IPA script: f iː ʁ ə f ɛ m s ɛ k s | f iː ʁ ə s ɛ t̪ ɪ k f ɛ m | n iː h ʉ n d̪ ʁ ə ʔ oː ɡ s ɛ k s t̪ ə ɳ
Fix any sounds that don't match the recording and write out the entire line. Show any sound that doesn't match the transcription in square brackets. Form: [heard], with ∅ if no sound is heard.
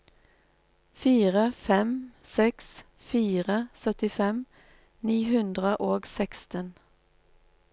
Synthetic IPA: f iː ʁ ə f ɛ m s ɛ k s | f iː ʁ ə s [œ] t̪ ɪ [∅] f ɛ m | n iː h ʉ n d̪ ʁ ə ʔ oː ɡ s ɛ k s t̪ ə [n]